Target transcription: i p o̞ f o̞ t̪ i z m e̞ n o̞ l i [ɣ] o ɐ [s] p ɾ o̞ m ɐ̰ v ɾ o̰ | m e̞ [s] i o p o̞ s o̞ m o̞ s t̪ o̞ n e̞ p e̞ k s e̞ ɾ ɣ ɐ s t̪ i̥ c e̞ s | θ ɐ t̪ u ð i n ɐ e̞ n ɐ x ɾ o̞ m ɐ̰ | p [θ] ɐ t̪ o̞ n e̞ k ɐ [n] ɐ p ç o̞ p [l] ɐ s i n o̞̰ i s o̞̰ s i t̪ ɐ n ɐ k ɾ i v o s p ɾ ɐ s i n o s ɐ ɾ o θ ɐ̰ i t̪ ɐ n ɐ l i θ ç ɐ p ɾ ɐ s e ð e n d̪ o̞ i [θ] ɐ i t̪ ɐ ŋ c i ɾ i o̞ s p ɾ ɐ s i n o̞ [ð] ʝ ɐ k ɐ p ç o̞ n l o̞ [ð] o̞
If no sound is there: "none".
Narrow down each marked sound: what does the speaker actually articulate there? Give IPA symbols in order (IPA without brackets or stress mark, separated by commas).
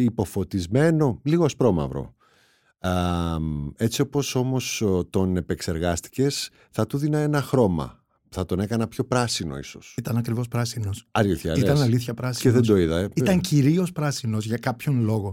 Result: ɣ, s, t͡s, θ, n, ɾ, ð, z, ɣ